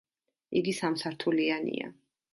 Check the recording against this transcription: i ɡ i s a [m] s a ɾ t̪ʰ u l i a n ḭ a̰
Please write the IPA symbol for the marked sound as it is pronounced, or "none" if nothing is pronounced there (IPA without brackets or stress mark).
m